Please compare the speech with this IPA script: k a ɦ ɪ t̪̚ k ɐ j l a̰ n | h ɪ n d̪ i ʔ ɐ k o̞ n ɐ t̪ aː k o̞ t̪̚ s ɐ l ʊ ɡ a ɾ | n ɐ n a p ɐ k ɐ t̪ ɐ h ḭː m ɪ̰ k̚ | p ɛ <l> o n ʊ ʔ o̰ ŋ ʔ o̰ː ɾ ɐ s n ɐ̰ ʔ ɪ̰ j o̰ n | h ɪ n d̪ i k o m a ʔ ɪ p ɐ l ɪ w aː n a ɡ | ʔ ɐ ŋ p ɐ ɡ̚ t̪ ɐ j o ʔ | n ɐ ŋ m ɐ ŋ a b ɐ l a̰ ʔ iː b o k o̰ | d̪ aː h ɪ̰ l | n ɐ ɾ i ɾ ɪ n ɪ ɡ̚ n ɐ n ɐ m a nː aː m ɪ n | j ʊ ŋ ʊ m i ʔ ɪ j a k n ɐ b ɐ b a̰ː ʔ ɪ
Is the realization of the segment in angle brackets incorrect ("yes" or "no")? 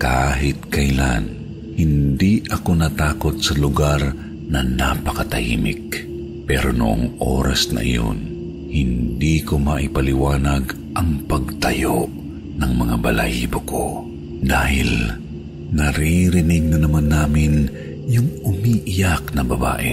yes